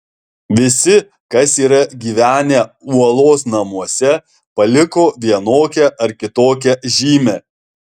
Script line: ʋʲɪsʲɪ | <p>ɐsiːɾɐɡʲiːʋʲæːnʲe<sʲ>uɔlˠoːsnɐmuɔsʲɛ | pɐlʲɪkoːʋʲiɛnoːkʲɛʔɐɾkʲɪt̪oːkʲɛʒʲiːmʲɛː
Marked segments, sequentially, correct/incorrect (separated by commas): incorrect, incorrect